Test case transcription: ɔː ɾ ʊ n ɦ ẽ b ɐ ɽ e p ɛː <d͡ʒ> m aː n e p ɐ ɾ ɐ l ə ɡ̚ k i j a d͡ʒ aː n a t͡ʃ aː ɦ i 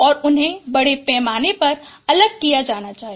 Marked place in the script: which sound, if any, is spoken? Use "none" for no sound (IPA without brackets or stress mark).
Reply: none